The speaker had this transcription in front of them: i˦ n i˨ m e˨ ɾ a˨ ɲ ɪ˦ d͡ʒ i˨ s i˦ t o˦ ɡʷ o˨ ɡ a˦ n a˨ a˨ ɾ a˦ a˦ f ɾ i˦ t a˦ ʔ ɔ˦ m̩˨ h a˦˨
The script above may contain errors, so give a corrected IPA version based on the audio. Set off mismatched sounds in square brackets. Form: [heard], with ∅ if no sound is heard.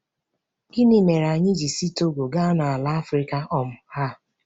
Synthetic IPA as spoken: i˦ n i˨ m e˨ ɾ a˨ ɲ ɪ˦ d͡ʒ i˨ s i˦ t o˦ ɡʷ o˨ ɡ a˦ n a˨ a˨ [l] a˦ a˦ f ɾ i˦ [k] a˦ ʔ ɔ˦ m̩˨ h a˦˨